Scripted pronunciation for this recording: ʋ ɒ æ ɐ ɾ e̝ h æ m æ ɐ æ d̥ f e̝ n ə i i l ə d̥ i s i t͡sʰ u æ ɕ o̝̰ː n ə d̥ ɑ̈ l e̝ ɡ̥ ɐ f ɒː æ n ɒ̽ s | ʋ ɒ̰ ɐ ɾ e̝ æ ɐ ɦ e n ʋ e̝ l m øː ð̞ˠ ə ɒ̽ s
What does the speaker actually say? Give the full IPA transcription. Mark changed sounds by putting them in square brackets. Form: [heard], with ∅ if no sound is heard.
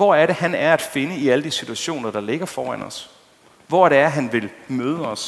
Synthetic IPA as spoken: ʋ ɒ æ ɐ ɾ e̝ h æ [n] æ ɐ æ d̥ f e̝ n ə i [æ] l ə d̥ i s i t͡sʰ u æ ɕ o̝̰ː n [ɐ] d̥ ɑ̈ l e̝ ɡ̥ ɐ f ɒː æ n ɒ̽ s | ʋ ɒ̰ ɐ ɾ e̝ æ ɐ ɦ [æ] n ʋ e̝ l m øː ð̞ˠ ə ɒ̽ s